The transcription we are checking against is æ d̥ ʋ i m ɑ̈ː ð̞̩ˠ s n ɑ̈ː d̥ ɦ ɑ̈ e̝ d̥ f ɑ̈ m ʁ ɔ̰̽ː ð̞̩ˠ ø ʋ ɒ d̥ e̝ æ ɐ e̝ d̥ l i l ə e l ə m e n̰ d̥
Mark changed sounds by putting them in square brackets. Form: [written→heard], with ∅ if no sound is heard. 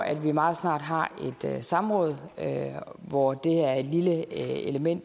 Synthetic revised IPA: æ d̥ ʋ i m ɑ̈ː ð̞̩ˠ s n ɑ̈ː d̥ ɦ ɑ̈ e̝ d̥ [f→s] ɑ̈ m ʁ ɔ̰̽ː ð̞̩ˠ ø ʋ ɒ d̥ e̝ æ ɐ e̝ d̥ l i l ə e l ə m e n̰ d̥